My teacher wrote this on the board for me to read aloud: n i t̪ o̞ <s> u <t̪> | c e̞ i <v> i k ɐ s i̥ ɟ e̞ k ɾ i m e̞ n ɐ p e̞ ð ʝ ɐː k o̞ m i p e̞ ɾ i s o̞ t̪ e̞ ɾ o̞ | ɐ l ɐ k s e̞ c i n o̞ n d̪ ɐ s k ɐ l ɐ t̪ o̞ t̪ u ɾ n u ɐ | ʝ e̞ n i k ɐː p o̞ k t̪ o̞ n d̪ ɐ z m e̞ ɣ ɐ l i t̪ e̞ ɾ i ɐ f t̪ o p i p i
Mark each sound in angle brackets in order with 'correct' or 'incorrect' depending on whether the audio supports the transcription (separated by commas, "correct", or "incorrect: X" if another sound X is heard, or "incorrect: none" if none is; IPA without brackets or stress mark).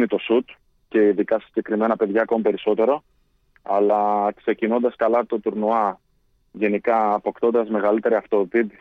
correct, correct, incorrect: ð